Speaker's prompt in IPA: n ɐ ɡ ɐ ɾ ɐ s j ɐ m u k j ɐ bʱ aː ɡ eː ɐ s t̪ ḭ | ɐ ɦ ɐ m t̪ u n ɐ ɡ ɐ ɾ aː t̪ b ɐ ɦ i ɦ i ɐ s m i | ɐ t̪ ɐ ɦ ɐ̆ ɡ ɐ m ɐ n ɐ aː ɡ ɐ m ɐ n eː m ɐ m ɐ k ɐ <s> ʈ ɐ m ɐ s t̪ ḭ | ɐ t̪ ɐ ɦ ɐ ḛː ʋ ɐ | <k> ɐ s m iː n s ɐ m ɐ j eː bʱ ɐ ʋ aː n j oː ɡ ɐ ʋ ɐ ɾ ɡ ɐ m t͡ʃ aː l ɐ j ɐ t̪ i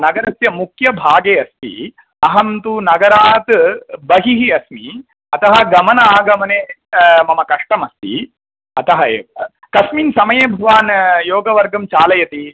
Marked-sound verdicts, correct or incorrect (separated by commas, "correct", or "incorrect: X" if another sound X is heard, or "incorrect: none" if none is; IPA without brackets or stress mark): incorrect: ʂ, correct